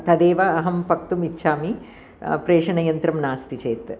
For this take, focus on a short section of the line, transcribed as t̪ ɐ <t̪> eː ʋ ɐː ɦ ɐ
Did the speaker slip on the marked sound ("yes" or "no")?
yes